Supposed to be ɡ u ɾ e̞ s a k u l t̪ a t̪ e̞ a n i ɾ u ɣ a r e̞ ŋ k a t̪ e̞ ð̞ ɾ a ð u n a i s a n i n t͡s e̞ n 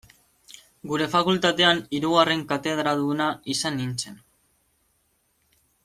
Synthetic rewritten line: ɡ u ɾ e̞ f a k u l t̪ a t̪ e̞ a n i ɾ u ɣ a r e̞ ŋ k a t̪ e̞ ð̞ ɾ a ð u n a i s a n i n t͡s e̞ n